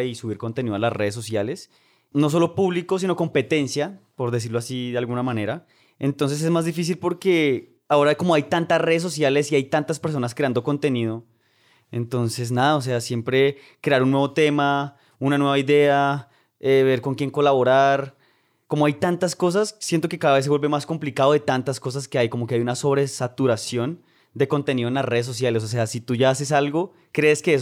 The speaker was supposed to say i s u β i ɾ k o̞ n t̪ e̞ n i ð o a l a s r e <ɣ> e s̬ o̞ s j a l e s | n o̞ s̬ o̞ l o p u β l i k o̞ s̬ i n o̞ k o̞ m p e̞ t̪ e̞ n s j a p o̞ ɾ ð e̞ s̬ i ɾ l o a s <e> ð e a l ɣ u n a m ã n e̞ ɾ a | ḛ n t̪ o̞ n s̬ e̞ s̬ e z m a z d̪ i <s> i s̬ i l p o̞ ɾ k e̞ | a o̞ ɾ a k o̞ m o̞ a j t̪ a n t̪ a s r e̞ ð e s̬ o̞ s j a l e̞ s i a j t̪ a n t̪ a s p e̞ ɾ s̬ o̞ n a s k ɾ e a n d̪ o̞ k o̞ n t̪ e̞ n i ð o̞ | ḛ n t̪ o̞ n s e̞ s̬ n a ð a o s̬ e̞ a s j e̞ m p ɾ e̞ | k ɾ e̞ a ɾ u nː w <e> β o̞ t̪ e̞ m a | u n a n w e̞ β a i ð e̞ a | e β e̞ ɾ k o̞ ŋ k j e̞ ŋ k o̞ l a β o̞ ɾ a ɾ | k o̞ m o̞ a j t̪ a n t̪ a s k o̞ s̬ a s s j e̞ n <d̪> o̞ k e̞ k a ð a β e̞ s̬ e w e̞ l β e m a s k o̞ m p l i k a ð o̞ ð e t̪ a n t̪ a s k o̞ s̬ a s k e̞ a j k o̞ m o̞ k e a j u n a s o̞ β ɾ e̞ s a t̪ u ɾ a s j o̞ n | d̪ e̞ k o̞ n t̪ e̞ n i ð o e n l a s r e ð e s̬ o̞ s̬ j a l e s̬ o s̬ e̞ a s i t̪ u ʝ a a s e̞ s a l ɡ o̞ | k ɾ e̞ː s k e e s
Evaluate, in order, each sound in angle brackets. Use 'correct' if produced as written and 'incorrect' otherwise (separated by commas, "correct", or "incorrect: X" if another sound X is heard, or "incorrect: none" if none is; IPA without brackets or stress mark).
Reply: incorrect: ð, incorrect: i, incorrect: f, correct, incorrect: t̪